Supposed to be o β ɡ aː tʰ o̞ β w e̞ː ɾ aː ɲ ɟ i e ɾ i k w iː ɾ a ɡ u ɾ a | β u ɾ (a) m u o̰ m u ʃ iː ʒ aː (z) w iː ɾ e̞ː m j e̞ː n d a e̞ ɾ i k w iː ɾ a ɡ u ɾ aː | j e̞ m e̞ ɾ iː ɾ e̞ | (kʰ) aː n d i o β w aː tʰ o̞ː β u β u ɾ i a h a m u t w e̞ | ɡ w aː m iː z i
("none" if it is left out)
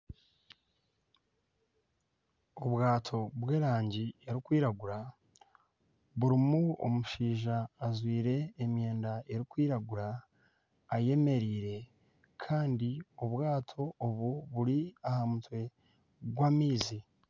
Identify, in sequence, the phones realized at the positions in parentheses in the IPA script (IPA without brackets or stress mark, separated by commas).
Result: i, z, kʰ